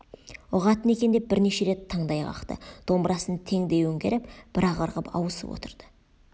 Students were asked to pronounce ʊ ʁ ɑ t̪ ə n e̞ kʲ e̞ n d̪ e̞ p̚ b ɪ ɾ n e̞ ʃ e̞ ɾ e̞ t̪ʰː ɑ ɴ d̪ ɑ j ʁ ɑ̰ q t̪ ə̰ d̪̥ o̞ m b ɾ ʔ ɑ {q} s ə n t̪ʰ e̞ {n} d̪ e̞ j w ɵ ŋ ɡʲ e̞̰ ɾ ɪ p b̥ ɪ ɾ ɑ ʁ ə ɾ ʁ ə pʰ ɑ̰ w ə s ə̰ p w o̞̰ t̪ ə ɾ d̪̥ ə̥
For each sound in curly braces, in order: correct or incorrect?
incorrect: none, incorrect: ŋ

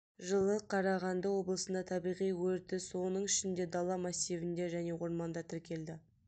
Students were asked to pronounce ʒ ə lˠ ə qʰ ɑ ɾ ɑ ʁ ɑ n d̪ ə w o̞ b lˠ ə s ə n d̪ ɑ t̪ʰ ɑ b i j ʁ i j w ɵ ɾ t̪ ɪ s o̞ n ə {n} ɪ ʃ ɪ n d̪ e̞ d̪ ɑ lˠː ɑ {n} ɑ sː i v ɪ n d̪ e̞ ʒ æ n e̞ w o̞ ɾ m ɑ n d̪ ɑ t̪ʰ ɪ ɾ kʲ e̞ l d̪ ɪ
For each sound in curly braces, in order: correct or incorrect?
incorrect: ɴ, incorrect: m

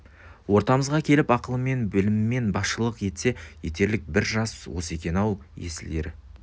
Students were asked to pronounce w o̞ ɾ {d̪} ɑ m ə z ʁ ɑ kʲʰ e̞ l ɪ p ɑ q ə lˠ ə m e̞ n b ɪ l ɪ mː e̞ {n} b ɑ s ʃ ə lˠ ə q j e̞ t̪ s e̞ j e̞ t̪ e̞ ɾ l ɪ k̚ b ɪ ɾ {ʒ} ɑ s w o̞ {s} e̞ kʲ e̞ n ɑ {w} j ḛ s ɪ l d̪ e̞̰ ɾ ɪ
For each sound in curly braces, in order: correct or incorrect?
incorrect: t̪, correct, correct, correct, correct

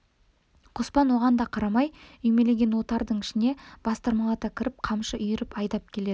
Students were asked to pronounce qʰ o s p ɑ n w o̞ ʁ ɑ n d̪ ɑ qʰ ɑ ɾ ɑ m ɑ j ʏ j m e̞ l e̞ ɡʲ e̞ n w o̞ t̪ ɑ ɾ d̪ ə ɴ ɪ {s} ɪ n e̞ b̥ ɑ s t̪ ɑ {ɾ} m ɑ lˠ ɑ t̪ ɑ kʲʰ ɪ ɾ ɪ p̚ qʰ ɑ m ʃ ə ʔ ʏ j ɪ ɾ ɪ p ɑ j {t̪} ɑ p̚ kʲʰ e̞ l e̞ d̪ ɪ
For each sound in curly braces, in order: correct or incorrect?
incorrect: ʃ, correct, incorrect: d̪

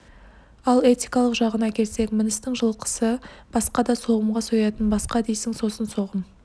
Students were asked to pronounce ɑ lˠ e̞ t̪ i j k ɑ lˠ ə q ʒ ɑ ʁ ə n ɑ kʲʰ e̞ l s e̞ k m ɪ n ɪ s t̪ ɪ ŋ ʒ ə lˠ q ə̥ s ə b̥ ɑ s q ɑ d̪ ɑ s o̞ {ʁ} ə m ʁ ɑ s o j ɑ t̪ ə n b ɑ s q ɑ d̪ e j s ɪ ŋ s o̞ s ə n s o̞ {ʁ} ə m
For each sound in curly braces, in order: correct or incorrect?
correct, correct

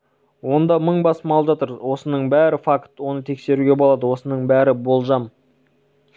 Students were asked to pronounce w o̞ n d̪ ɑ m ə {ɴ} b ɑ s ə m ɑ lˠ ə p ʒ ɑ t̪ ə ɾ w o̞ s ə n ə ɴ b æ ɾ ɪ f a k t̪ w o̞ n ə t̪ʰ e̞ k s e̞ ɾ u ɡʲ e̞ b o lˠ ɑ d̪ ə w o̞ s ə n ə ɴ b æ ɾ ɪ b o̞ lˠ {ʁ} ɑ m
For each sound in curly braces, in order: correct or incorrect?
correct, incorrect: ʒ

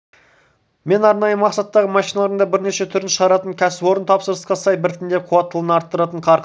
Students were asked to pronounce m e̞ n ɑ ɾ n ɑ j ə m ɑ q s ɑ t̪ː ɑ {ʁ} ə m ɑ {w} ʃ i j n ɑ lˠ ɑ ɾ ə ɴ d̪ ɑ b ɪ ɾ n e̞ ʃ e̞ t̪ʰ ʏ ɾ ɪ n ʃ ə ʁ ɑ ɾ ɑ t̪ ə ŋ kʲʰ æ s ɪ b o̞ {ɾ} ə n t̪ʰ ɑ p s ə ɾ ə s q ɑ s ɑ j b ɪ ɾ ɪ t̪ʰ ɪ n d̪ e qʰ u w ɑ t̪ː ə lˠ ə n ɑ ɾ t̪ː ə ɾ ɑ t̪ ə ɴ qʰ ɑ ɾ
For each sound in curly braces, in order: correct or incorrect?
correct, incorrect: none, correct

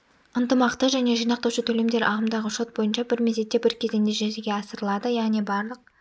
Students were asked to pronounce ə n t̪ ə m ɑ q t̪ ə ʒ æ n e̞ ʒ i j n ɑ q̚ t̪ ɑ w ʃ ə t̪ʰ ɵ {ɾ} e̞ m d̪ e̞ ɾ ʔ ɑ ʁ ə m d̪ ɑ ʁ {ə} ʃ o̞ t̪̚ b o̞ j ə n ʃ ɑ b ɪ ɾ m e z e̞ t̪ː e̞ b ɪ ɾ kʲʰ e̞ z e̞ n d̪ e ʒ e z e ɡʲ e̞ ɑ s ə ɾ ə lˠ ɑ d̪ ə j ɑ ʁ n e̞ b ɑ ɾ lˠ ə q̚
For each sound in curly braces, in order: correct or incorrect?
incorrect: l, correct

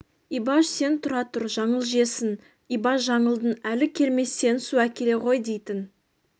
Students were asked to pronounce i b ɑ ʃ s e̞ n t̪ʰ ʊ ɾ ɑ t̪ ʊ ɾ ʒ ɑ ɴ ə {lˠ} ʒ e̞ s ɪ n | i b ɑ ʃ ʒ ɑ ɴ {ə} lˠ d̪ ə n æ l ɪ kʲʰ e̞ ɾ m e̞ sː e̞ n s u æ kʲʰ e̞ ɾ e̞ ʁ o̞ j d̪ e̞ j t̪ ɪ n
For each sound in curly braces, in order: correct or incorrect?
correct, correct

